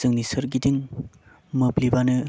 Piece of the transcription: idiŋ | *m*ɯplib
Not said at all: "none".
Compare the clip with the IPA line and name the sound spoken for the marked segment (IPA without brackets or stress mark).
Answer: m